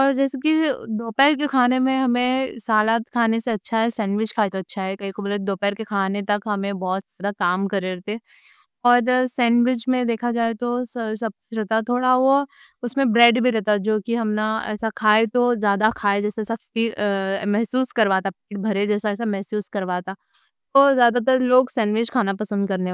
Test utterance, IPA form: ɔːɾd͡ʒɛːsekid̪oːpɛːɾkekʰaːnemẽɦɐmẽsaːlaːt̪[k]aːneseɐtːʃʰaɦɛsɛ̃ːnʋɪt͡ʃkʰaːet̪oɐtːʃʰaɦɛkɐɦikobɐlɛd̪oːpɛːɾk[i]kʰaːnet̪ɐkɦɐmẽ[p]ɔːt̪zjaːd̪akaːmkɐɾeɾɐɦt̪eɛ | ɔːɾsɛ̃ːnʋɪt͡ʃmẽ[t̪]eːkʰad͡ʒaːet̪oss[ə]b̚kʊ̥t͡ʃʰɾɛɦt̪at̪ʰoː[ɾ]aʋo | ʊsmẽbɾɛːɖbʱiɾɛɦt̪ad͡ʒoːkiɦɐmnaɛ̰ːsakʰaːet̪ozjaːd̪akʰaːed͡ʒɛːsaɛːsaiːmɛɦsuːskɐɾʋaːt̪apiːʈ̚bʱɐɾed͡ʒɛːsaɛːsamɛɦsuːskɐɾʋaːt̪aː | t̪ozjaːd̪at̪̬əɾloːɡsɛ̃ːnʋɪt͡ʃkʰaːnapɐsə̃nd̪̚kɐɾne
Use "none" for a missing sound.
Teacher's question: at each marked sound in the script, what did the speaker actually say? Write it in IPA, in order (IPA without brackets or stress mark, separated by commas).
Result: kʰ, e, b, d̪, ɐ, ɽ